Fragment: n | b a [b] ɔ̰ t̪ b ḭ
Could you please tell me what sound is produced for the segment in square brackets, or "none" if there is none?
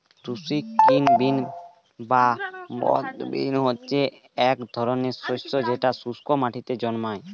b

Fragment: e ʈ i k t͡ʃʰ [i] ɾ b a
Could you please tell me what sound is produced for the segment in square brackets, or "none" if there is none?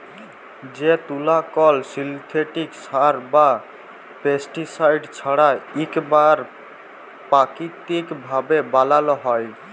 a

